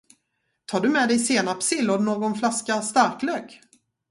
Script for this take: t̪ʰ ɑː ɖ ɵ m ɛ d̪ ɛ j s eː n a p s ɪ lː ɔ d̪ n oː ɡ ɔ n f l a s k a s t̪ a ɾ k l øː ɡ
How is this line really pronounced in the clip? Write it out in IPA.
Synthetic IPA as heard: t̪ʰ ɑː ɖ ɵ m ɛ d̪ ɛ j s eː n a p s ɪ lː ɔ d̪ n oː ɡ ɔ n f l a s k a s t̪ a ɾ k l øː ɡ